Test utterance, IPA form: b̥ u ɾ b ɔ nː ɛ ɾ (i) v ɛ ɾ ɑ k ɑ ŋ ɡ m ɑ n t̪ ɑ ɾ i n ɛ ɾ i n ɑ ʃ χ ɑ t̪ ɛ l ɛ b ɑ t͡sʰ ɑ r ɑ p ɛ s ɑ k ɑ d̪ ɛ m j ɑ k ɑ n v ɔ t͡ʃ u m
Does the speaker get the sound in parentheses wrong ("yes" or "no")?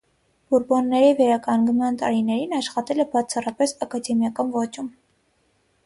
no